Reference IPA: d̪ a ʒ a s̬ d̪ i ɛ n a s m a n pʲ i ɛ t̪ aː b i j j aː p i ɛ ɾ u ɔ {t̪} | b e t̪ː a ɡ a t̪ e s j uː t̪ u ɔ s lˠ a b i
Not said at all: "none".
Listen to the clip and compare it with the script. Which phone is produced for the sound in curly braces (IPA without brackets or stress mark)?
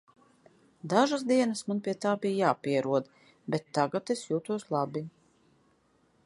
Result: d̪